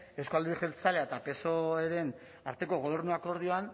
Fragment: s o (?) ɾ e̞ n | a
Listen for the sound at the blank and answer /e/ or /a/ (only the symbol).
e